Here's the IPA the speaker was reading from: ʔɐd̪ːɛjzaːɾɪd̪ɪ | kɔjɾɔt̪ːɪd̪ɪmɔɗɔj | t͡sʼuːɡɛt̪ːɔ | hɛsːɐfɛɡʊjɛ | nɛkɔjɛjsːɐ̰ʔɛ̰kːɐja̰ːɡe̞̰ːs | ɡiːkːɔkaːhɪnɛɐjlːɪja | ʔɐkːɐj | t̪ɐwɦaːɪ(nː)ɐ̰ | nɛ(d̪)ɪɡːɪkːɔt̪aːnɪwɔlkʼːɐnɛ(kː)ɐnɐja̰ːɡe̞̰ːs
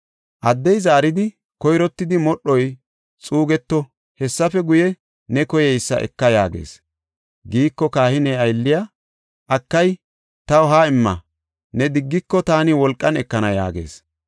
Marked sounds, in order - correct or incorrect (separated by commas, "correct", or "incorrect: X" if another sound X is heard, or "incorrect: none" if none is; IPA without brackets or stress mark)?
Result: incorrect: mː, correct, correct